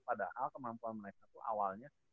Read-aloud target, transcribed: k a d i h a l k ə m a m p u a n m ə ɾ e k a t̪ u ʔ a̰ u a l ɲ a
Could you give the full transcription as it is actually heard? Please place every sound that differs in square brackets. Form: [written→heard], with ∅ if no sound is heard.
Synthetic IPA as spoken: [k→p] a d [i→a] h a l k ə m a m p u a n m ə ɾ e k a t̪ u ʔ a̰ [u→w] a l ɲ a